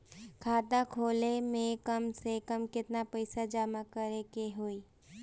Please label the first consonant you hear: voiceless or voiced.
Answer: voiceless